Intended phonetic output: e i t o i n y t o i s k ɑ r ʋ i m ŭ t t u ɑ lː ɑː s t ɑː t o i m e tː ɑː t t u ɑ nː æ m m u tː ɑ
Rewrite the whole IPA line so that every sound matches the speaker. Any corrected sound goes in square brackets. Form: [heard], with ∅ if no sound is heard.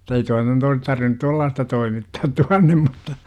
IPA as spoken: e i t o i n y t o i s [t] ɑ r ʋ i [n] ŭ t t u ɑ lː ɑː s t [ɑ] t o i m [i] tː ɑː t t u ɑ nː [e] m m u tː ɑ